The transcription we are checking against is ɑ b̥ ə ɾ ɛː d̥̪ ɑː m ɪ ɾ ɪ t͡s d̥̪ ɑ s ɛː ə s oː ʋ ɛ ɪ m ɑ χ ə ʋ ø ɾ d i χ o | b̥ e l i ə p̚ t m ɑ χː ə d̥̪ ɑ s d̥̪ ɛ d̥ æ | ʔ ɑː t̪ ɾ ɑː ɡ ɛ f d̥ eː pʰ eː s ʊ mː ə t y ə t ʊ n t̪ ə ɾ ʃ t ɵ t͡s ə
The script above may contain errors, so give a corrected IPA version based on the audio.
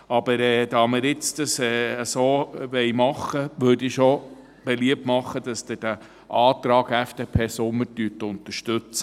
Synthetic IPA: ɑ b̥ ə ɾ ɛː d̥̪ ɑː m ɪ ɾ ɪ t͡s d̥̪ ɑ s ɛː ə s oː ʋ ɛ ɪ m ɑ χ ə ʋ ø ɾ d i ʃ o | b̥ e l i ə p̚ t m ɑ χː ə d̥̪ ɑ s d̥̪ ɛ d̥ æ | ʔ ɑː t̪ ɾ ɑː ɡ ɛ f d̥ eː pʰ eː s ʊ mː ə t y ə t ʊ n t̪ ə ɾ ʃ t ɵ t͡s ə